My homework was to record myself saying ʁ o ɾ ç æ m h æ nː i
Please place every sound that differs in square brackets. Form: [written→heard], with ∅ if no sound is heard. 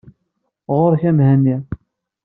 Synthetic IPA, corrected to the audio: ʁ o ɾ ç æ m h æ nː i